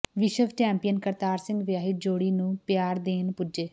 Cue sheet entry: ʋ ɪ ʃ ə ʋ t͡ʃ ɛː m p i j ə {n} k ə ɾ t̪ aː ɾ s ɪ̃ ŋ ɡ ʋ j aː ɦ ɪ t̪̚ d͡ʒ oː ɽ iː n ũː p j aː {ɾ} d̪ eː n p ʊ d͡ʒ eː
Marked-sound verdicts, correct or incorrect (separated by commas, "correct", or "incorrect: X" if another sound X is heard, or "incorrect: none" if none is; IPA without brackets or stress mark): correct, correct